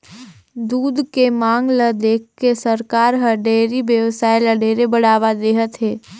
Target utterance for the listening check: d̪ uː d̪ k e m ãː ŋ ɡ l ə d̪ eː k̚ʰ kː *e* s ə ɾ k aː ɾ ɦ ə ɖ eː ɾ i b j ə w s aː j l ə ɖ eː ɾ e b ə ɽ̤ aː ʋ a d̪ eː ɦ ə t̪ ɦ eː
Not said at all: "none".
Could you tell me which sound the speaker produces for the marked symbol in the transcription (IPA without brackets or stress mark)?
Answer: e